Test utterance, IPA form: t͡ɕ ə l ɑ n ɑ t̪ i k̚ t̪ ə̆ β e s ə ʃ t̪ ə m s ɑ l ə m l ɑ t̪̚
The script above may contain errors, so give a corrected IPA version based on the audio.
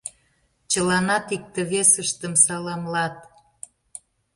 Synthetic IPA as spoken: t͡ɕ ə l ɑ n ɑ t̪ i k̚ t̪ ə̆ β e s ə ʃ t̪ ə m s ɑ l ɑ m l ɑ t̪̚

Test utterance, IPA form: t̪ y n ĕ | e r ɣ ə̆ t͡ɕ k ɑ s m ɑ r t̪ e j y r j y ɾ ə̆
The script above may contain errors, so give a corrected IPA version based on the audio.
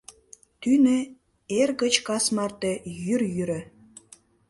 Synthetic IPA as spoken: t̪ y n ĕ | e r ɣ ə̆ t͡ɕ k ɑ s m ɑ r t̪ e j y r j y ɾ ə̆

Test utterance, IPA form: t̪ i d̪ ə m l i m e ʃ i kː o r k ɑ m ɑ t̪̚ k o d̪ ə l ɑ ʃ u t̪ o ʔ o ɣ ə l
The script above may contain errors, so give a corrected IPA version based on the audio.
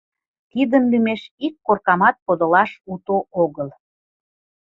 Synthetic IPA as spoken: t̪ i d̪ ə n l y m e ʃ i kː o r k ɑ m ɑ t̪̚ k o d̪ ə l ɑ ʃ u t̪ o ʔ o ɣ ə l

